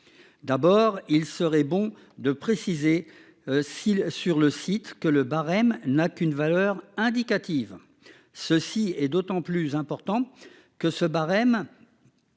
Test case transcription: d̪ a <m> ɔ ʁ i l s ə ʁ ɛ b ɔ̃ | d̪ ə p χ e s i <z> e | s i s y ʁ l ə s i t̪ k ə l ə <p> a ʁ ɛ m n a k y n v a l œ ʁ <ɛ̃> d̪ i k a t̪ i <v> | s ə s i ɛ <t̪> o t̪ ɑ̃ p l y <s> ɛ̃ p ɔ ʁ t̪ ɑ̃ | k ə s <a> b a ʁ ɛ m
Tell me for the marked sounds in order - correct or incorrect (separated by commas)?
incorrect, correct, incorrect, correct, correct, incorrect, incorrect, incorrect